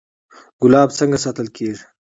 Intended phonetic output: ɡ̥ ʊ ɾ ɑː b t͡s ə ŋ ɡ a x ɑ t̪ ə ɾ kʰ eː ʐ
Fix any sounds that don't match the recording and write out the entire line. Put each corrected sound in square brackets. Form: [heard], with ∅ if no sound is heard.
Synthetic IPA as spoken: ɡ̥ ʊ [l] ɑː b t͡s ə ŋ ɡ a [s] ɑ t̪ ə [l] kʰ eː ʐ